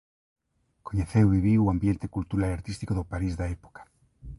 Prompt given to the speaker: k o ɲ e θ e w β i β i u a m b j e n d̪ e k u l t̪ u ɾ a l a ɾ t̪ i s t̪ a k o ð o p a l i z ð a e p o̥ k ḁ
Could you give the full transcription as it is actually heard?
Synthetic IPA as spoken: k o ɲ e θ e w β i β i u a m b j e n t̪ e k u l t̪ u ɾ a l a ɾ t̪ i s t̪ i k o ð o p a ɾ i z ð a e p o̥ k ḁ